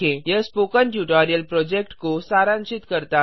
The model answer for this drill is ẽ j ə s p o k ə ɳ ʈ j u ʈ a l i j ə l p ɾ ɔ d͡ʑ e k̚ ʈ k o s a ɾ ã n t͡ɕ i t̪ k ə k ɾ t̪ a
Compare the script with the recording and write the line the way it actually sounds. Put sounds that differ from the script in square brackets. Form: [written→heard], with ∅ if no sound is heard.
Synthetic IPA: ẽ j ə s p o k ə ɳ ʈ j u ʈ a [l→ɾ] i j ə l p ɾ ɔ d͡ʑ e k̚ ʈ k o s a ɾ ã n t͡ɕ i t̪ k ə [k→∅] ɾ t̪ a